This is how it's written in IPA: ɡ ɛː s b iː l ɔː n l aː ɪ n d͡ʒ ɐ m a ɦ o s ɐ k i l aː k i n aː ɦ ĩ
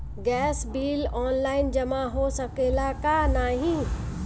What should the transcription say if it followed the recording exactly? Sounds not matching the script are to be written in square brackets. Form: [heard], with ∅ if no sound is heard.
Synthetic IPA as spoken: ɡ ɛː s b iː l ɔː n l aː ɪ n d͡ʒ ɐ m a ɦ o s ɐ k [e] l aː k [a] n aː ɦ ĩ